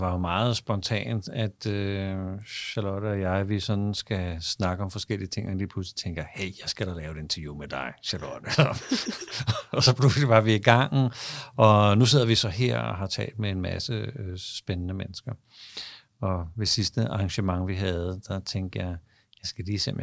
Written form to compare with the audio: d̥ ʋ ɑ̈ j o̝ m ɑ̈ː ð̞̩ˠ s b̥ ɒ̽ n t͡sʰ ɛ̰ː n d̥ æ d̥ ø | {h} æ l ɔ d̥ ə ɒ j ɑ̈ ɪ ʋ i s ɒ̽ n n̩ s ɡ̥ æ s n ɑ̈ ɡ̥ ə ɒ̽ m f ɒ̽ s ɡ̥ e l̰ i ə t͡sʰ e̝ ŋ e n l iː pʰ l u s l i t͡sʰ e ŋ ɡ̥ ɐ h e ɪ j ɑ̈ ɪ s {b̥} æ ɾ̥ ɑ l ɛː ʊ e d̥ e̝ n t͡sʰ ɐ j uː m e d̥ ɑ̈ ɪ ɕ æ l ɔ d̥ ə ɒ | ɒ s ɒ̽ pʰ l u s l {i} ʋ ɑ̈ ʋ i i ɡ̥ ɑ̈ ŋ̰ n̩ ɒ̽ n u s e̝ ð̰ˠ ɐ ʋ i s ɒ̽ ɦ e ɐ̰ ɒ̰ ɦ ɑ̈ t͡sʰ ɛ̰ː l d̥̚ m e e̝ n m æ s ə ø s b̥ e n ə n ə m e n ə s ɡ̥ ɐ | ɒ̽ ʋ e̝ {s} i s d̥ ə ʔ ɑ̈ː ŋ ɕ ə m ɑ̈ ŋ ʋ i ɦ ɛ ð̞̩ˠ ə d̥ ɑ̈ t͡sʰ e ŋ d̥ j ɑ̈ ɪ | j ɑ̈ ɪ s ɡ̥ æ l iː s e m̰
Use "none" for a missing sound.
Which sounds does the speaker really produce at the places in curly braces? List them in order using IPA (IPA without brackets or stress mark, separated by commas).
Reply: ɕ, ɡ̥, i, s